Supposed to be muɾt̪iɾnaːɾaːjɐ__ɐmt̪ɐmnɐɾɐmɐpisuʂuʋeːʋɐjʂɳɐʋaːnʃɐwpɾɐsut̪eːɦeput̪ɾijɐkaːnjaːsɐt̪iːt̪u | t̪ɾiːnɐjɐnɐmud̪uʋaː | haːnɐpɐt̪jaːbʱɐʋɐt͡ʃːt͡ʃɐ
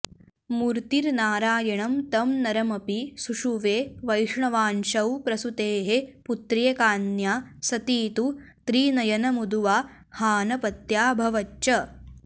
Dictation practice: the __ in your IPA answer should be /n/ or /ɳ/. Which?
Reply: ɳ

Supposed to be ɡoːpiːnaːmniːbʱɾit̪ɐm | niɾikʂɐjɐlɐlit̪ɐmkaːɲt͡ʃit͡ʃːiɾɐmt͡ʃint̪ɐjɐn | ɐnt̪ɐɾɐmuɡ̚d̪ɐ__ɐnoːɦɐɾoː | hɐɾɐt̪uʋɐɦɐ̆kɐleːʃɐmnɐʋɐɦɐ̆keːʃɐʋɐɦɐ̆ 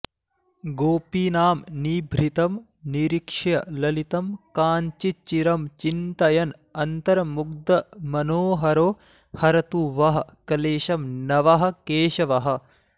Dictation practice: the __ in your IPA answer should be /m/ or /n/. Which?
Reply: m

